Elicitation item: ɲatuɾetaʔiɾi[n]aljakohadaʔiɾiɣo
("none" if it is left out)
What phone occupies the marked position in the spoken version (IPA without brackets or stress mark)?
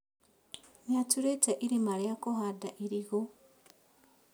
m